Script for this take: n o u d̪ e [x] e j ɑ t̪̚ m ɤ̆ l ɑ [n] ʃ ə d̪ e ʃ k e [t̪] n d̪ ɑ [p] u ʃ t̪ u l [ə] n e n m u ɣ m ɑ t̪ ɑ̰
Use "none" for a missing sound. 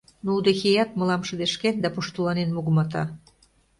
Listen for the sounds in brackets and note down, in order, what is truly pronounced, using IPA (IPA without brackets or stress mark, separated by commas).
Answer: x, m, none, p, ɑ